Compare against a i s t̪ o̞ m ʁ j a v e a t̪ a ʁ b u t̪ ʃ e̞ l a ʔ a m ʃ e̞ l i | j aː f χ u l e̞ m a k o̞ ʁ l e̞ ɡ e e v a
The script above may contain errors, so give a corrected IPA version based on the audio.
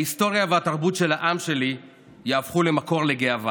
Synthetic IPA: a i s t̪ o̞ ʁ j a v e a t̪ a ʁ b u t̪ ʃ e̞ l a ʔ a m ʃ e̞ l i | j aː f χ u l e̞ m a k o̞ ʁ l e̞ ɡ e a v a